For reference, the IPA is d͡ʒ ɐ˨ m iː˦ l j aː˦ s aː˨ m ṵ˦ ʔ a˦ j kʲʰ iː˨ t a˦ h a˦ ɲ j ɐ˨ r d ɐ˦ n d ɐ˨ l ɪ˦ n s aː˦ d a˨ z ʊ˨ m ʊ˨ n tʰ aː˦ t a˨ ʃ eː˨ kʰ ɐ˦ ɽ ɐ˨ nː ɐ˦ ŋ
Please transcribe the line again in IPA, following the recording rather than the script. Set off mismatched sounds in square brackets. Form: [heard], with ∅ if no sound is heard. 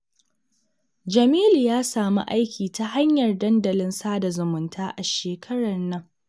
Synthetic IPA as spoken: d͡ʒ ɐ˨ m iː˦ l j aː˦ s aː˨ m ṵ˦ ʔ a˦ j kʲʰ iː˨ t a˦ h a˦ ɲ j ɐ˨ r d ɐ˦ n d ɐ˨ l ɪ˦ n s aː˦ d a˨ z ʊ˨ m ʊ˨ n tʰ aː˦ [ʔ] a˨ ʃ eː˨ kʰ ɐ˦ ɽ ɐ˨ nː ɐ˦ ŋ

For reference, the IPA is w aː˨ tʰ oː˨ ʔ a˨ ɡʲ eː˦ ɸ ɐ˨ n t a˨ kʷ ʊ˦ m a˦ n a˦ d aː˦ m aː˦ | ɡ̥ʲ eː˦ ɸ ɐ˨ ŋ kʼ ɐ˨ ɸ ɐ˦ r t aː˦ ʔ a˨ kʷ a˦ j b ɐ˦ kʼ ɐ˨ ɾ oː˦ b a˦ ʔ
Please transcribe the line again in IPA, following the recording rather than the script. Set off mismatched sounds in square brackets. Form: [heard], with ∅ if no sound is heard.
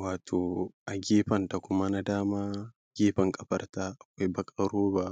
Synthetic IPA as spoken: w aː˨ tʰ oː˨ ʔ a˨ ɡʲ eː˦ ɸ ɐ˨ n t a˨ kʷ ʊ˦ m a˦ n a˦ d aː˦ m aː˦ | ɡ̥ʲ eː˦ ɸ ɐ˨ ŋ kʼ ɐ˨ ɸ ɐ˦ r t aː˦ ʔ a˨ kʷ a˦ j b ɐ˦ kʼ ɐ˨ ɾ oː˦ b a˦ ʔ

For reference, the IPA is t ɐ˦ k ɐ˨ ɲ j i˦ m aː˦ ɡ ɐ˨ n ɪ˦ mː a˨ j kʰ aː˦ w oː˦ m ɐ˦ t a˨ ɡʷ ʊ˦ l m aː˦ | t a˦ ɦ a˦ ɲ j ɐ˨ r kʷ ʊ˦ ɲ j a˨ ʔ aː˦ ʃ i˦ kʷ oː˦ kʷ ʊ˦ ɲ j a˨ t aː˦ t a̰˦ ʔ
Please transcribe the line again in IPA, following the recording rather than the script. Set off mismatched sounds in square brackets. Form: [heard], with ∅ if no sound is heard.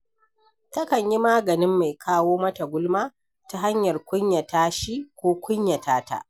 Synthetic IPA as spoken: t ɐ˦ k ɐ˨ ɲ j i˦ m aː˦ ɡ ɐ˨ n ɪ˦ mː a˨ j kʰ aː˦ w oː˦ m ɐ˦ t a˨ ɡʷ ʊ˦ l m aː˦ | t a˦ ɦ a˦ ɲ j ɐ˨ r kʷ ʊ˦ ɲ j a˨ [t] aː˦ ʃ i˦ kʷ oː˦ kʷ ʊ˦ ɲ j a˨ t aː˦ t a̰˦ ʔ

